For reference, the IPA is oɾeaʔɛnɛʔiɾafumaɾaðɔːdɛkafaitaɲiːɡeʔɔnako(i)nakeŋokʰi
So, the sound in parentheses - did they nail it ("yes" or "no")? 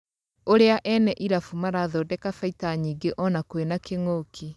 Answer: no